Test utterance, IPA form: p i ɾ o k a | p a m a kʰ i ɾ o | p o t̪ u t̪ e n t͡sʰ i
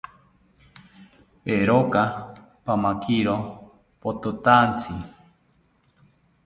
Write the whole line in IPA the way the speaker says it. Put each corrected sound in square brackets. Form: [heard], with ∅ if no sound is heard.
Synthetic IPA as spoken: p [e] ɾ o k a | p a m a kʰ i ɾ o | p o t̪ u t̪ [a] n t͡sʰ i